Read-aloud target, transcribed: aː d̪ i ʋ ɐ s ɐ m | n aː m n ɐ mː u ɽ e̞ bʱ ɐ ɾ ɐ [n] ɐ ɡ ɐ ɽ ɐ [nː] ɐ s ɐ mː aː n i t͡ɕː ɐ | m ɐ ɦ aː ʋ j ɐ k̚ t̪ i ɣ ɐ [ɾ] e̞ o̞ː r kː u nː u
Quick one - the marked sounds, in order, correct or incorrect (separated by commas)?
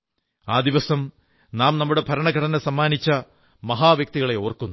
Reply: incorrect, incorrect, incorrect